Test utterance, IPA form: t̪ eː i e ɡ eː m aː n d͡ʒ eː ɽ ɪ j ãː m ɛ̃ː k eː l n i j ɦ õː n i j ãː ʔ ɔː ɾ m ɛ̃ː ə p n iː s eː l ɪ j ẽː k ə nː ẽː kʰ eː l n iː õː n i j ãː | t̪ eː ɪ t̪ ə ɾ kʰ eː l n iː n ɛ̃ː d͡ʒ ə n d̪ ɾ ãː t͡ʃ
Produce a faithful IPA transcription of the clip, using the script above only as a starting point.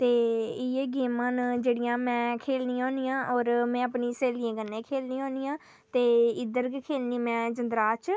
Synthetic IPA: t̪ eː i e ɡ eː m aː n d͡ʒ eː ɽ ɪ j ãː m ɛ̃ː kʰ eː l n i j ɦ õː n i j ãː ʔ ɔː ɾ m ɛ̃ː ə p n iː s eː l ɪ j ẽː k ə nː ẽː kʰ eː l n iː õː n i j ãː | t̪ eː ɪ d̪ ə ɾ kʰ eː l n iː m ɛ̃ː d͡ʒ ə n d̪ ɾ aː t͡ʃ